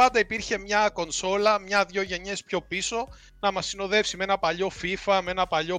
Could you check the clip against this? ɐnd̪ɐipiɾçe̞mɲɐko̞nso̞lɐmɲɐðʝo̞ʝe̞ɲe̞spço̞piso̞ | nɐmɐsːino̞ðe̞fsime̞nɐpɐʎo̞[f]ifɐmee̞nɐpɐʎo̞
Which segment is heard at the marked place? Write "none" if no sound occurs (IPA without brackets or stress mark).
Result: f